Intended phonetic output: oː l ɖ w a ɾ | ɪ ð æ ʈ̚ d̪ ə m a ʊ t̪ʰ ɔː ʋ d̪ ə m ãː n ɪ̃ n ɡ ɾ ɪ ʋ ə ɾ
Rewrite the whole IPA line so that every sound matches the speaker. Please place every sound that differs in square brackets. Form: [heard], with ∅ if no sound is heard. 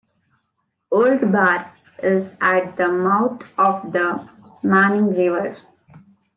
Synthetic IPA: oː l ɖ [b] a ɾ | ɪ [z] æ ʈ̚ d̪ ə m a ʊ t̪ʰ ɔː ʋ d̪ ə m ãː n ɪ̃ [ŋ] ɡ ɾ ɪ ʋ ə ɾ